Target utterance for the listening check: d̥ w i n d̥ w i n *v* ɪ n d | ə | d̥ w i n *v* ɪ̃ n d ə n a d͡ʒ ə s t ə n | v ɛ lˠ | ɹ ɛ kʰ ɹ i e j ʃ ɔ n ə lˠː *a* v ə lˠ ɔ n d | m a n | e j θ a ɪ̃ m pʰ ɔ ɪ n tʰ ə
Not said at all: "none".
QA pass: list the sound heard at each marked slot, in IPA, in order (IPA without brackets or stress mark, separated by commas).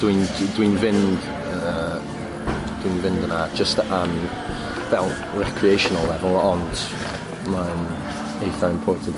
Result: v, v, ɛ